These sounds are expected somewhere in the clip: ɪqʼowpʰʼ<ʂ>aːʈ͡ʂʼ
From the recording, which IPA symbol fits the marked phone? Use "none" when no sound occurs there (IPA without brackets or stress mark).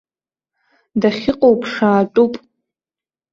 ʂ